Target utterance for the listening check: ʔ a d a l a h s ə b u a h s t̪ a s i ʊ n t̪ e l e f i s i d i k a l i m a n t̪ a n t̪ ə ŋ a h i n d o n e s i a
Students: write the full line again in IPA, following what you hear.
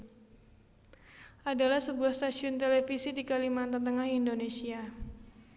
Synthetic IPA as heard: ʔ a d a l a h s ə b u a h s t̪ a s i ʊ n t̪ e l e f i s i d i k a l i m a n t̪ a n t̪ ə ŋ a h i n d o n e s i a